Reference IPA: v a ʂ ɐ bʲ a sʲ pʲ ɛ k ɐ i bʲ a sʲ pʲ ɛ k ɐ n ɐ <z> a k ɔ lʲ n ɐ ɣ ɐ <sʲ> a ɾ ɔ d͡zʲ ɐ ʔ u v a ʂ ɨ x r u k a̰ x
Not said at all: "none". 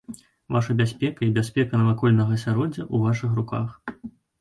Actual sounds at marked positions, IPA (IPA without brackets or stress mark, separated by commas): v, sʲ